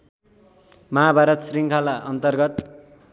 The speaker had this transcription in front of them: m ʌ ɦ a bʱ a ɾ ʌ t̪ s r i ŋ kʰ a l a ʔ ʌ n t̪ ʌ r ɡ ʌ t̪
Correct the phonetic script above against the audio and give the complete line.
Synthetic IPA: m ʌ ɦ a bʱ a ɾ ʌ t̪ s r i ŋ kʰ a l a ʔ ʌ n t̪ ʌ r ɡ ʌ t̪